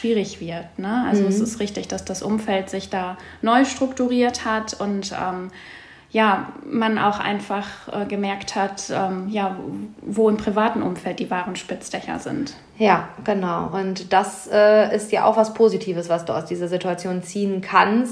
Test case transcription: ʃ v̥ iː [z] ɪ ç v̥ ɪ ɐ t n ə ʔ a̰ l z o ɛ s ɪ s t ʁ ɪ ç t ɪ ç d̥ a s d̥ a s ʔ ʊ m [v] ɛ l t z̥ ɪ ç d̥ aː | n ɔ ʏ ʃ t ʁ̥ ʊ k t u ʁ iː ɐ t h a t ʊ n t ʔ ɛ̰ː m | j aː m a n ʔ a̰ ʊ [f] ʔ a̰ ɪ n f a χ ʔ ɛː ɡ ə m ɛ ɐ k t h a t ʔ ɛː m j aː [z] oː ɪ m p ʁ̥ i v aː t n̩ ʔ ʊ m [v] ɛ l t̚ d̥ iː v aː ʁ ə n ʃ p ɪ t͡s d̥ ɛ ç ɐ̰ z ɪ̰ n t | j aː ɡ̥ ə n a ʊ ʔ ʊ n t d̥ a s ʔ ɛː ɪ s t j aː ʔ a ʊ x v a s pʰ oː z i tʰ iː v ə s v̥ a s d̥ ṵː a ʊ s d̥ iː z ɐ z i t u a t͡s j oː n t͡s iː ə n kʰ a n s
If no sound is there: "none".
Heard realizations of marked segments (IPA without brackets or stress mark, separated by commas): ʁ, f, x, v, f